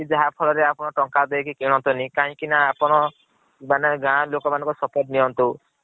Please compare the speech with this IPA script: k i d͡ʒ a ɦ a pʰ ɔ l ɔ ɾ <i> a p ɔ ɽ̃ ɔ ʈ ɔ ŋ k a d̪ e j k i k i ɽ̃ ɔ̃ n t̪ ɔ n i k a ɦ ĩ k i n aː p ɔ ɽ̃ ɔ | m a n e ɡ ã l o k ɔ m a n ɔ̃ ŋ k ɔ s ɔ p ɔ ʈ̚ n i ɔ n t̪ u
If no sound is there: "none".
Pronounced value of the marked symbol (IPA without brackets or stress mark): e